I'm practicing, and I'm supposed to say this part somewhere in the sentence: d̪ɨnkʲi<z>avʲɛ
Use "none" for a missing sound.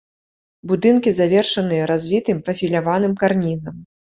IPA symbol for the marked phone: z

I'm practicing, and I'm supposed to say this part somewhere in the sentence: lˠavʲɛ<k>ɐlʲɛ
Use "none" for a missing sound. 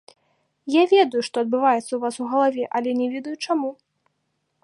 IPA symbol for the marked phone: ʔ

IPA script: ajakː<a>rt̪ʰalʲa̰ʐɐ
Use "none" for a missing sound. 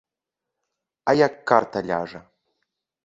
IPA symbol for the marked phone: a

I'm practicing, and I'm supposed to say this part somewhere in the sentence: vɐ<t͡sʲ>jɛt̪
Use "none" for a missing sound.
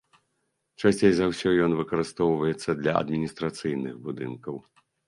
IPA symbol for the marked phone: none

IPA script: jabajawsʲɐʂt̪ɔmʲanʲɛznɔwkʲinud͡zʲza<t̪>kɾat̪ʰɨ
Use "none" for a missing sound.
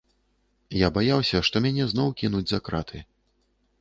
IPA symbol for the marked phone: none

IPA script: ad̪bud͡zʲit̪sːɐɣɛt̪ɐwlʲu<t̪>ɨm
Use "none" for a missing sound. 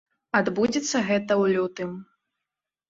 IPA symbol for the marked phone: t̪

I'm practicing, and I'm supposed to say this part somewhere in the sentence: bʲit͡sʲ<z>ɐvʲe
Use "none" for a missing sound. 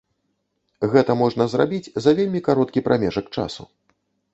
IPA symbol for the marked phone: z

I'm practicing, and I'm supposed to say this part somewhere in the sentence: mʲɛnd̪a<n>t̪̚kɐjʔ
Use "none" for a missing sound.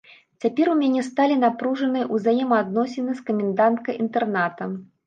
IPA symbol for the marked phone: n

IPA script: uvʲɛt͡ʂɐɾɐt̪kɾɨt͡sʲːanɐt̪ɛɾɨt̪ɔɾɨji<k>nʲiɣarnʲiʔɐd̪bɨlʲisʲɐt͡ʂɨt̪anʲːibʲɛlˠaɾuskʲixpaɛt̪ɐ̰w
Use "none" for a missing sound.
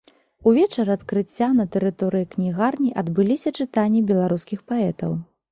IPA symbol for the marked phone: k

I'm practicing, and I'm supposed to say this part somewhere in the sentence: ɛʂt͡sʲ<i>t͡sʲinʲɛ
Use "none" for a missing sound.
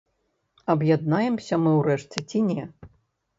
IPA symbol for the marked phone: ɛ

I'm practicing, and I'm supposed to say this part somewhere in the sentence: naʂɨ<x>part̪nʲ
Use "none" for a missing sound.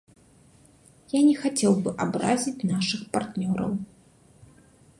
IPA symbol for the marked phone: x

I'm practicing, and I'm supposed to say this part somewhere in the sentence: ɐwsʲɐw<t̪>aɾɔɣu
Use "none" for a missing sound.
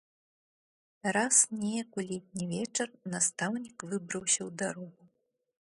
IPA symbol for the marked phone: d̪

